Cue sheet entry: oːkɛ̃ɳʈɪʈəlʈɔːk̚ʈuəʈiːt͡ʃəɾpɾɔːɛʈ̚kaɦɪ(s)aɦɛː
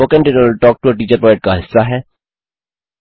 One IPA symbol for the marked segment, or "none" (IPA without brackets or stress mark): sː